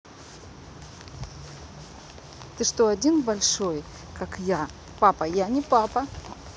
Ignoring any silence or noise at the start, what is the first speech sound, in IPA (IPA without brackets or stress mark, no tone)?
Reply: t̪